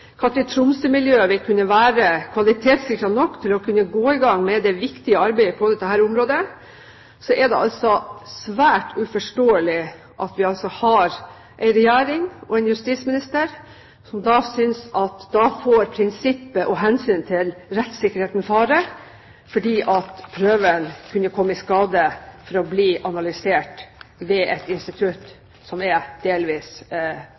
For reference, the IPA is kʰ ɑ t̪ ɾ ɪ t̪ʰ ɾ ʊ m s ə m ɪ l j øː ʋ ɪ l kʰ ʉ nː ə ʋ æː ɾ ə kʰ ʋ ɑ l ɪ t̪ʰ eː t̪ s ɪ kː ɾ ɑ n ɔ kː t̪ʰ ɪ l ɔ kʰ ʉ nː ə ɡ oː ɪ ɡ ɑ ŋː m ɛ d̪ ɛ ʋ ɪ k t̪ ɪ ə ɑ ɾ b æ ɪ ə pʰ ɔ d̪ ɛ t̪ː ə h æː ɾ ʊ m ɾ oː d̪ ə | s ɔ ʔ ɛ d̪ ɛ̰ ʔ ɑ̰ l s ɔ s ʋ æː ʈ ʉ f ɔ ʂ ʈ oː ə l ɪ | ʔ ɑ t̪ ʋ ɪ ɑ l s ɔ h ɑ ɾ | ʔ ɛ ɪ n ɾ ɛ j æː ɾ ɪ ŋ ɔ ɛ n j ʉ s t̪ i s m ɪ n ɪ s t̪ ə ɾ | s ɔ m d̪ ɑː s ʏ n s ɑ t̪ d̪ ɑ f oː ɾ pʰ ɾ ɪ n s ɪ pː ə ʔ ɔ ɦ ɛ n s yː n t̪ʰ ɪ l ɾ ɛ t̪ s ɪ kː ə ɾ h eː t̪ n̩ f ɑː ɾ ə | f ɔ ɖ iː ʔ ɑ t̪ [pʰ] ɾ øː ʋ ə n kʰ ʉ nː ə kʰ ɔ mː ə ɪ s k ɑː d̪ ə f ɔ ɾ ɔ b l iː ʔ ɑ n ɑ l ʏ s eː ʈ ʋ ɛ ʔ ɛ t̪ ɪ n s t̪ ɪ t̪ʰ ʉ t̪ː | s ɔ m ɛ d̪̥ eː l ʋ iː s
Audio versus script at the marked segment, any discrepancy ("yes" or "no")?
no